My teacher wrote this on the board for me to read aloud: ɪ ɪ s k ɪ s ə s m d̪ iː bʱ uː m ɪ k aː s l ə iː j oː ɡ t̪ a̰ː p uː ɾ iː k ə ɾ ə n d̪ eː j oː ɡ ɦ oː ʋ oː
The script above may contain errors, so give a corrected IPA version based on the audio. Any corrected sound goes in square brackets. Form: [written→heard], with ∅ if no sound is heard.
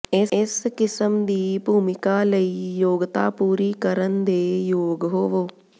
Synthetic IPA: ɪ ɪ s k ɪ s ə [s→∅] m d̪ iː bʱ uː m ɪ k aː [s→∅] l ə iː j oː ɡ t̪ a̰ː p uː ɾ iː k ə ɾ ə n d̪ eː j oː ɡ ɦ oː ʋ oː

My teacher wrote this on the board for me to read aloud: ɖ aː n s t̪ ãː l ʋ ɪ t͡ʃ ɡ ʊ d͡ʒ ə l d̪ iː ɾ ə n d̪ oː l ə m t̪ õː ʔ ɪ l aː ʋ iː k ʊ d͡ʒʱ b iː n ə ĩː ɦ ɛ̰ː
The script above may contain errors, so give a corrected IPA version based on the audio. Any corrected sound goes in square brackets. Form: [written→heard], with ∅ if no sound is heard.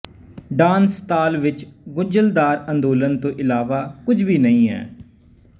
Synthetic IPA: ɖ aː n s t̪ [ãː→aː] l ʋ ɪ t͡ʃ ɡ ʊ d͡ʒ ə l d̪ [iː→aː] ɾ ə n d̪ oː l ə [m→n] t̪ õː ʔ ɪ l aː ʋ [iː→aː] k ʊ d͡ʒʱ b iː n ə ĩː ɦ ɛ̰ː

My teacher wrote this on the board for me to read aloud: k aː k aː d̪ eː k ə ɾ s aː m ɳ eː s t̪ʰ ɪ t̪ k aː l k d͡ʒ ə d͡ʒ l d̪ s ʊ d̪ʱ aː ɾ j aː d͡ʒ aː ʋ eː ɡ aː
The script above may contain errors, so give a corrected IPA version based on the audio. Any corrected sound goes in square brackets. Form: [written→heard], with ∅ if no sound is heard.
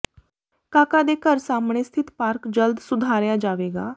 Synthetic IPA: k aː k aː d̪ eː k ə ɾ s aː m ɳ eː s t̪ʰ ɪ t̪ [k→p] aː [l→ɾ] k d͡ʒ ə [d͡ʒ→∅] l d̪ s ʊ d̪ʱ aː ɾ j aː d͡ʒ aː ʋ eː ɡ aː

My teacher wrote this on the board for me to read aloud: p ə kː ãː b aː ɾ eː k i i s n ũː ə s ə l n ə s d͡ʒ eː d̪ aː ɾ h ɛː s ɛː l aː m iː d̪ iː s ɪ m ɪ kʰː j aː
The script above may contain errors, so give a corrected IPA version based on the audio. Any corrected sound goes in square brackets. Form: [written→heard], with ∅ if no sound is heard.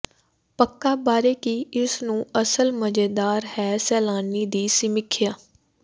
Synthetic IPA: p ə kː [ãː→aː] b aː ɾ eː k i [i→ɪ] s n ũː ə s ə l [n→m] ə [s→∅] d͡ʒ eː d̪ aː ɾ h ɛː s ɛː l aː [m→n] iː d̪ iː s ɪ m ɪ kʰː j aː

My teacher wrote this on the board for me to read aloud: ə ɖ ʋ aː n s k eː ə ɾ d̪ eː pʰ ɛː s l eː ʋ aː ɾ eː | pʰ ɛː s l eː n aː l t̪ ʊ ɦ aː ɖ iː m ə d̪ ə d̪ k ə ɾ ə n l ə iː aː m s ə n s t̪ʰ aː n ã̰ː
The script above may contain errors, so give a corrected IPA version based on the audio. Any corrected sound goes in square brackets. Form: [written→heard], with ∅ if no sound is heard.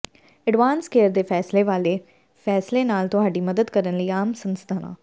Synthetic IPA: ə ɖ ʋ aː n s k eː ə ɾ d̪ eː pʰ ɛː s l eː ʋ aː [ɾ→l] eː | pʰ ɛː s l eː n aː l t̪ ʊ ɦ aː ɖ iː m ə d̪ ə d̪ k ə ɾ ə n l ə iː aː m s ə n s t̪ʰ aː n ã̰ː

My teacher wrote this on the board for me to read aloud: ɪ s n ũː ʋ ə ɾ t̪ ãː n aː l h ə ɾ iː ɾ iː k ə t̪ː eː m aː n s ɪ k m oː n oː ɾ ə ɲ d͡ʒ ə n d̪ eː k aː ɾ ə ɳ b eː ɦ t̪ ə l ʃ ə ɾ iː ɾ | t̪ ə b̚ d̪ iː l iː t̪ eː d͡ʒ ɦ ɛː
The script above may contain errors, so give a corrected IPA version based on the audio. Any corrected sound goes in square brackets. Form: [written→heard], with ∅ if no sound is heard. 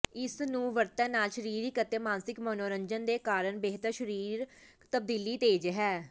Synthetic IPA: ɪ s n ũː ʋ ə ɾ t̪ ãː n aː l [h→ʃ] ə ɾ iː ɾ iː k ə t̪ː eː m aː n s ɪ k m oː n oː ɾ ə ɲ d͡ʒ ə n d̪ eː k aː ɾ ə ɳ b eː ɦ t̪ ə [l→ɾ] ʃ ə ɾ iː ɾ | t̪ ə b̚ d̪ iː l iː t̪ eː d͡ʒ ɦ ɛː

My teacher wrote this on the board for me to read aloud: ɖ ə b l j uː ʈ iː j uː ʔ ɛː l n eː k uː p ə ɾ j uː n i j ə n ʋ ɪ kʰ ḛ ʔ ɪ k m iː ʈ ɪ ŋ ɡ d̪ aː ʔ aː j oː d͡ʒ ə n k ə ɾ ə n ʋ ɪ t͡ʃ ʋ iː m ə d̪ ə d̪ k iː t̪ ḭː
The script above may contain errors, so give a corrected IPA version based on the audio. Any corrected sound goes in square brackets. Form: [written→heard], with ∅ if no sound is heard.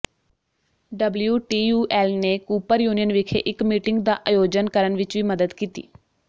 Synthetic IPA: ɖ ə b l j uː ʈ iː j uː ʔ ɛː l n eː k uː p ə ɾ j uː n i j ə n ʋ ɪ kʰ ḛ ʔ ɪ k m iː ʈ ɪ ŋ ɡ d̪ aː ʔ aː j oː d͡ʒ ə n k ə ɾ ə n ʋ ɪ t͡ʃ ʋ iː m ə d̪ ə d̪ k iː t̪ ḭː

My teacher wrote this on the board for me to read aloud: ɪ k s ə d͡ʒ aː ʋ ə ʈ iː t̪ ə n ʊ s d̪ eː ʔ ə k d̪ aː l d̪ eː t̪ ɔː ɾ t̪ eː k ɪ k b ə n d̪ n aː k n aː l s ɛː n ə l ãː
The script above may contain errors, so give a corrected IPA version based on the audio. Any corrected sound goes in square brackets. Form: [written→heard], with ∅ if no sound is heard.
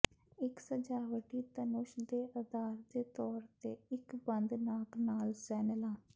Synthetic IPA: ɪ k s ə d͡ʒ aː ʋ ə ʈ iː t̪ ə n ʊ [s→ʃ] d̪ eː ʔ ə [k→∅] d̪ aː [l→ɾ] d̪ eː t̪ ɔː ɾ t̪ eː [k→∅] ɪ k b ə n d̪ n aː k n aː l s ɛː n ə l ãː

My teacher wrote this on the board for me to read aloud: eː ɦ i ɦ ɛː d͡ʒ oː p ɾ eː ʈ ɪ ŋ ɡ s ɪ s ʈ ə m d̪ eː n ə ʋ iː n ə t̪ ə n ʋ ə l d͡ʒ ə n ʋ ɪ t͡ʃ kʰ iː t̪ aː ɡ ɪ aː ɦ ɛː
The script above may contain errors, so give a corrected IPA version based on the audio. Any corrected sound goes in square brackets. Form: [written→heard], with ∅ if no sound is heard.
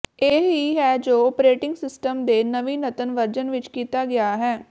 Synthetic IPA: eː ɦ i ɦ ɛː d͡ʒ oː p ɾ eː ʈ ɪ ŋ ɡ s ɪ s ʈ ə m d̪ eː n ə ʋ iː n ə t̪ ə n ʋ ə [l→ɾ] d͡ʒ ə n ʋ ɪ t͡ʃ [kʰ→k] iː t̪ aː ɡ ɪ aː ɦ ɛː

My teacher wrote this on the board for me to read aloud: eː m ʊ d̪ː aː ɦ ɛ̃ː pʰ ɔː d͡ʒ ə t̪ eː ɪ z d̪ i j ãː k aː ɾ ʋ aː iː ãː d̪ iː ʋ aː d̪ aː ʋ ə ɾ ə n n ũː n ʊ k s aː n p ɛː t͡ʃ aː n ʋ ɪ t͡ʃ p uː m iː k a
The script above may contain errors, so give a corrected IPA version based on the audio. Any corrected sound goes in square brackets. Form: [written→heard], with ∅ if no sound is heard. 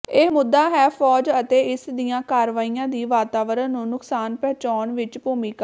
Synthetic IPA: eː m ʊ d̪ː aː ɦ [ɛ̃ː→ɛː] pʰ ɔː d͡ʒ ə t̪ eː ɪ [z→s] d̪ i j ãː k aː ɾ ʋ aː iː ãː d̪ iː ʋ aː [d̪→t̪] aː ʋ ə ɾ ə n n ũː n ʊ k s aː n p ɛː t͡ʃ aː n ʋ ɪ t͡ʃ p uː m iː k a

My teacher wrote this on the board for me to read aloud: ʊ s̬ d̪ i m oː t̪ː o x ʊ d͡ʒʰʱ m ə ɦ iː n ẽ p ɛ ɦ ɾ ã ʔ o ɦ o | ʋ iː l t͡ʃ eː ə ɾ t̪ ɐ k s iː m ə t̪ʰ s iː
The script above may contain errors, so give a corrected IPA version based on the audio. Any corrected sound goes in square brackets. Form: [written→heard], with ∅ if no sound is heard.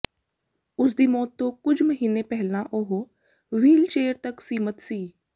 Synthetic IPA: ʊ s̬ d̪ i m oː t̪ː o [x→k] ʊ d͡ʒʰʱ m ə ɦ iː n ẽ p ɛ ɦ [ɾ→l] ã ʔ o ɦ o | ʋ iː l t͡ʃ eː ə ɾ t̪ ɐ k s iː m ə [t̪ʰ→t̪] s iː

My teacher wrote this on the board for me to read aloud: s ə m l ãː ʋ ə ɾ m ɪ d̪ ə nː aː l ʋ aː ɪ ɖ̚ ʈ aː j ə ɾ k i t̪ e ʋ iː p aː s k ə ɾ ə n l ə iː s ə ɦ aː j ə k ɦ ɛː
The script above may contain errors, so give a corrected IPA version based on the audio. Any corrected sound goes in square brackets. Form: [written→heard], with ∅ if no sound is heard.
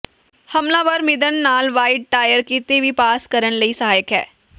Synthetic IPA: [s→h] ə m l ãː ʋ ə ɾ m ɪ d̪ ə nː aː l ʋ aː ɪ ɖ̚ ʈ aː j ə ɾ k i t̪ e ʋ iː p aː s k ə ɾ ə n l ə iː s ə ɦ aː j ə k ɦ ɛː

